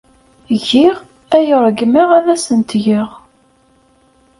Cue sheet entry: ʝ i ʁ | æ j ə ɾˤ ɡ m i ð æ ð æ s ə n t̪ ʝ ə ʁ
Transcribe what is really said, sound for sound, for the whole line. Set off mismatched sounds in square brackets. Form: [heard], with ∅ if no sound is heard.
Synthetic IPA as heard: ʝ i ʁ | æ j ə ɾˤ ɡ m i [ʁ] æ ð æ s ə n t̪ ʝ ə ʁ